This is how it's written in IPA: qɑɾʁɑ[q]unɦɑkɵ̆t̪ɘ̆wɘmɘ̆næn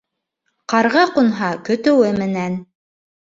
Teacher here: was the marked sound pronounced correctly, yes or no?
yes